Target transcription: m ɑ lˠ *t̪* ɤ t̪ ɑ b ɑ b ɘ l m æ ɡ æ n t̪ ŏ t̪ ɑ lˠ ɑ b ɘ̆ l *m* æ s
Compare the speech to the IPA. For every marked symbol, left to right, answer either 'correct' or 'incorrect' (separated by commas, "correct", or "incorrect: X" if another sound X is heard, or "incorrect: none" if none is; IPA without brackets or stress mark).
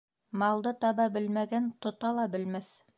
incorrect: d̪, correct